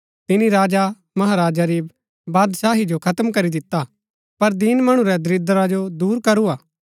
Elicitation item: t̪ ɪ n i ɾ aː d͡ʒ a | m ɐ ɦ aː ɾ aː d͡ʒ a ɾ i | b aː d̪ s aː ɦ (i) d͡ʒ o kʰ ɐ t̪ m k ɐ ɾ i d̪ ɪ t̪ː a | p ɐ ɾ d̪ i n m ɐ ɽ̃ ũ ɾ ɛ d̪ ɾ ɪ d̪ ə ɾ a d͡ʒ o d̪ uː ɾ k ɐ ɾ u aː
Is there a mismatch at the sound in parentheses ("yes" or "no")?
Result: no